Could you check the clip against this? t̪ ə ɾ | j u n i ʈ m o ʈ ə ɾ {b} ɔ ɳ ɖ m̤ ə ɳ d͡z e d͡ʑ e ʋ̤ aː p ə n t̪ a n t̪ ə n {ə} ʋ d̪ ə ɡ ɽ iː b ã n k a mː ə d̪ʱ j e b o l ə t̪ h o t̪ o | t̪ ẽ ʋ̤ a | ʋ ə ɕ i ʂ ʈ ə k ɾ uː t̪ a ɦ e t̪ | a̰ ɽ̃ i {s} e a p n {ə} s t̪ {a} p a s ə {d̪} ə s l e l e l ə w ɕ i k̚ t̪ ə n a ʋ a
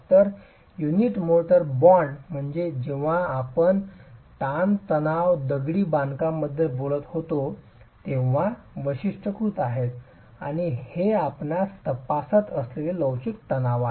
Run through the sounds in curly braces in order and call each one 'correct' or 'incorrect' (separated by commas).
correct, incorrect, incorrect, incorrect, incorrect, incorrect